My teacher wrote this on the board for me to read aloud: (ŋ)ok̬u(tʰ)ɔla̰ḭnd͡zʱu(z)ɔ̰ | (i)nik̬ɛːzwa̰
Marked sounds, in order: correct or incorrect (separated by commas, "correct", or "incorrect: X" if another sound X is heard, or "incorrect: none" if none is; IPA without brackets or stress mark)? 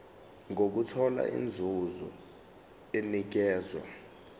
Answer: correct, correct, correct, incorrect: e